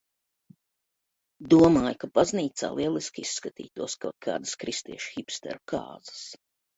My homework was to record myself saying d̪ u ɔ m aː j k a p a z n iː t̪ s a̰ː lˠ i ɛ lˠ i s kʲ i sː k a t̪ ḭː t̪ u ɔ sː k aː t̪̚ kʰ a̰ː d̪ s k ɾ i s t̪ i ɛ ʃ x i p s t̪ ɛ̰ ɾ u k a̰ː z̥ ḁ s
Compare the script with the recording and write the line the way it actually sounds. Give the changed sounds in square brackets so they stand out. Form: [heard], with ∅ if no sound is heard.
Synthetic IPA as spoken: d̪ u ɔ m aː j k a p a z n iː t̪ s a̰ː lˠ i ɛ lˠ i s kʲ i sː k a t̪ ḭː t̪ u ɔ [s] k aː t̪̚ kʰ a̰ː d̪ s k ɾ i s t̪ i ɛ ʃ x i p s t̪ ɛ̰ ɾ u k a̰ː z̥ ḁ s